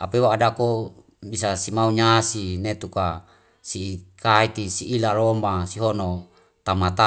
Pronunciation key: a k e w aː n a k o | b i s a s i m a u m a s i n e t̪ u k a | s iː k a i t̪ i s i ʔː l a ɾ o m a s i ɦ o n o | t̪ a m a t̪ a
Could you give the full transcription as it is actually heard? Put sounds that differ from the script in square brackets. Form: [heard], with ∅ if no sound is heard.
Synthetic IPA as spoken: a [p] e w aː [d] a k o | b i s a s i m a u [ɲ] a s i n e t̪ u k a | s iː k a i t̪ i s i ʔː l a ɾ o m a s i ɦ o n o | t̪ a m a t̪ a